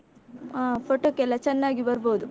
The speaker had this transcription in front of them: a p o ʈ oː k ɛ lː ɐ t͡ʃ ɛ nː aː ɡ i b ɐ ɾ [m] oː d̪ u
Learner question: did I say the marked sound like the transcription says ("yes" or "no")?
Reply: no